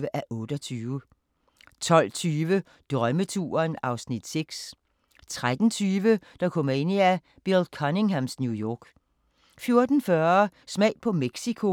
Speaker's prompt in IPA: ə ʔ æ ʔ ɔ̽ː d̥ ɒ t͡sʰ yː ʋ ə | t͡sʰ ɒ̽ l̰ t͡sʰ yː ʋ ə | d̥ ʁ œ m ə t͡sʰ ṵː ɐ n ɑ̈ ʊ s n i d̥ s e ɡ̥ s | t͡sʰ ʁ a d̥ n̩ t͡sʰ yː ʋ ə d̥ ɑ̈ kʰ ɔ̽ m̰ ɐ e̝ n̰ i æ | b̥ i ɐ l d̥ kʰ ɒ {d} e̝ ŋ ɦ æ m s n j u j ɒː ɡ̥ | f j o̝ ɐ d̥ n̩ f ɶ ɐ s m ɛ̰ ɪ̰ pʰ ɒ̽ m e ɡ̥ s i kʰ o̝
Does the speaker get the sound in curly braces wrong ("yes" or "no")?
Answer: yes